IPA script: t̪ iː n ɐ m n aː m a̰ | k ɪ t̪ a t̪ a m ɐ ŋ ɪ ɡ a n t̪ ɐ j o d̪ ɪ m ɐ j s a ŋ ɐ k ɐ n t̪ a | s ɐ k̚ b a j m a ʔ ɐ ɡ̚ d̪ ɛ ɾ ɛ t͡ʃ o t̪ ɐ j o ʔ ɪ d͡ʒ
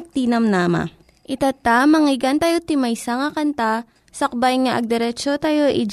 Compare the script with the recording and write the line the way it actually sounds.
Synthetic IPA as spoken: t̪ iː n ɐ m n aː m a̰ | ʔ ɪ t̪ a t̪ a m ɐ ŋ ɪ ɡ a n t̪ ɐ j o t̪ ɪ m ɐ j s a ŋ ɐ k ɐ n t̪ a | s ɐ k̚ b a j ŋ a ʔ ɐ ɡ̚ d̪ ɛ ɾ ɛ t͡ʃ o t̪ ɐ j o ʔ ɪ d͡ʒ